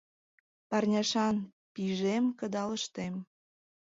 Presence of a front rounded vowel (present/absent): absent